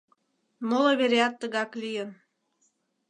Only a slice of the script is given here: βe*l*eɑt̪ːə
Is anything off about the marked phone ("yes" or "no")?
yes